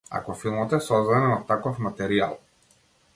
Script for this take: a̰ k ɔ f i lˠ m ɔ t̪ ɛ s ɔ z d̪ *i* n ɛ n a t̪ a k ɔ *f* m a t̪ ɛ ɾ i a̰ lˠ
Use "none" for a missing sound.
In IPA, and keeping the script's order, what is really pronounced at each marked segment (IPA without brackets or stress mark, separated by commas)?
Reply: a, f